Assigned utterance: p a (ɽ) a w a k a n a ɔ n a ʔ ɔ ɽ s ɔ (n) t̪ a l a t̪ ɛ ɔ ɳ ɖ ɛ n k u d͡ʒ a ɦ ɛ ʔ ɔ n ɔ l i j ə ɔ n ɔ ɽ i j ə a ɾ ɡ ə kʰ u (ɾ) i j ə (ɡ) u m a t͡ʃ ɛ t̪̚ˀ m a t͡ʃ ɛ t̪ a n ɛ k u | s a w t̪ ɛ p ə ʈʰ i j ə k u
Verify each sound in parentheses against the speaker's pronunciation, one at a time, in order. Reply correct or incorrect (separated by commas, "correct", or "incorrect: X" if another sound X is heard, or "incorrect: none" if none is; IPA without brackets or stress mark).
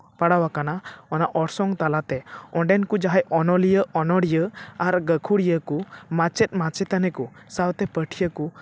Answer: correct, incorrect: ŋ, incorrect: ɽ, incorrect: k